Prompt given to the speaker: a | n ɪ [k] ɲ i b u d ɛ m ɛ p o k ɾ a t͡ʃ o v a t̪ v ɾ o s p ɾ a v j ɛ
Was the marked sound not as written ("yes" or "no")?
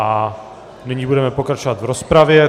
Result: yes